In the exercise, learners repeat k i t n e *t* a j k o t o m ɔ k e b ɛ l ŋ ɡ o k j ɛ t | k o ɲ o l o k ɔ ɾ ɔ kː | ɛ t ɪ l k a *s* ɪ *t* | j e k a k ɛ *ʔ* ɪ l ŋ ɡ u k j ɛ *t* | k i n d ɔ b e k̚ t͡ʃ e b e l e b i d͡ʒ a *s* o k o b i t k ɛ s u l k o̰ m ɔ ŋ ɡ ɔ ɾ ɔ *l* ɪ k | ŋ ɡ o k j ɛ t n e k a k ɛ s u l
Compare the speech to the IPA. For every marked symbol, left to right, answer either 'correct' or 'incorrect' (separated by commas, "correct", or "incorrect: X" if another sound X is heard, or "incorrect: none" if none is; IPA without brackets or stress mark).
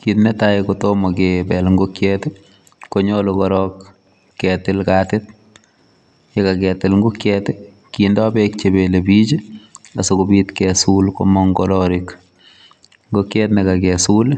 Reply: correct, incorrect: t, correct, incorrect: t, correct, correct, incorrect: ɾ